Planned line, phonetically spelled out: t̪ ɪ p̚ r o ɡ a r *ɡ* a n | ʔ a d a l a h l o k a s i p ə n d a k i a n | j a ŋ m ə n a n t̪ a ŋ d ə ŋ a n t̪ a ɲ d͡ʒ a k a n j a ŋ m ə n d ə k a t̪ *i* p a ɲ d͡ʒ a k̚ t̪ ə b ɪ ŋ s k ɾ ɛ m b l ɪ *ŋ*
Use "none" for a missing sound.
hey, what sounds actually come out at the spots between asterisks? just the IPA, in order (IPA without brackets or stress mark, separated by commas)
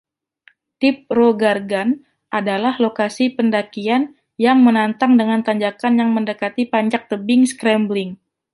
ɡ, i, ŋ